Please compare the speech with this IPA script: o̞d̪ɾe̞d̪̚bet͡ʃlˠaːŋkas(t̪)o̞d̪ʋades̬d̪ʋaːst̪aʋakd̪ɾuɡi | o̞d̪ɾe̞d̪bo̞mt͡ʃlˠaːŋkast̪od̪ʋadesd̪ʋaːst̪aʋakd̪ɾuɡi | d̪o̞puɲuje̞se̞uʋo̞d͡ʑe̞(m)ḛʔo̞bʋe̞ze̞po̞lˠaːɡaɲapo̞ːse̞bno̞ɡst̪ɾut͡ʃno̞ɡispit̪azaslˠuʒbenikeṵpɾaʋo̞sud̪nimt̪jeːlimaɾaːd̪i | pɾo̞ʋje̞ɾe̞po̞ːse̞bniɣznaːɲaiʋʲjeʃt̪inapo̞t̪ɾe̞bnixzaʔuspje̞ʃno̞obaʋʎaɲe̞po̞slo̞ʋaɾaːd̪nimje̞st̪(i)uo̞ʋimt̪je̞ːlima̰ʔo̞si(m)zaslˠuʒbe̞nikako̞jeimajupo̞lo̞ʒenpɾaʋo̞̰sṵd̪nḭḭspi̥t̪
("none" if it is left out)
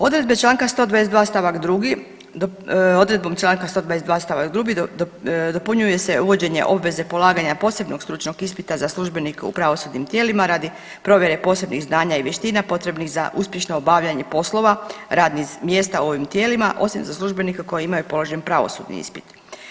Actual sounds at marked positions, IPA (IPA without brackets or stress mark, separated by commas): t̪, ɲ, a, m